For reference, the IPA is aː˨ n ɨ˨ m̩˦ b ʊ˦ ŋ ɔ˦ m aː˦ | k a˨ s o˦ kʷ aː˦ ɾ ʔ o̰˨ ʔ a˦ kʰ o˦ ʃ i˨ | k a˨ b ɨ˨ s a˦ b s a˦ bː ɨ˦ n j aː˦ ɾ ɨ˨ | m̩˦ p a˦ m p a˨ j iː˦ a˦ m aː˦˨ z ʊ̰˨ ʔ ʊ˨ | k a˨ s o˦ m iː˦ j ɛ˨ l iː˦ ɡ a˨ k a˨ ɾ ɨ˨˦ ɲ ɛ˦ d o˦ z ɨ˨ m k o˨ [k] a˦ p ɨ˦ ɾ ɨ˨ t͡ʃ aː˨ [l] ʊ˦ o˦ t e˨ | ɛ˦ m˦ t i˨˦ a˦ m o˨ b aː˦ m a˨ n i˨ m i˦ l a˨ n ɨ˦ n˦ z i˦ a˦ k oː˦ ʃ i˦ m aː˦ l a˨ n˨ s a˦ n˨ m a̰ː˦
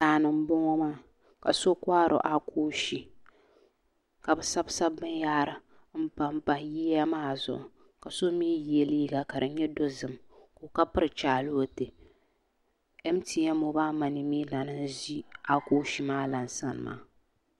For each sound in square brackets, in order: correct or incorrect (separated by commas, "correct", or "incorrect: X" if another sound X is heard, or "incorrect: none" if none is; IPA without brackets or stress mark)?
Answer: correct, correct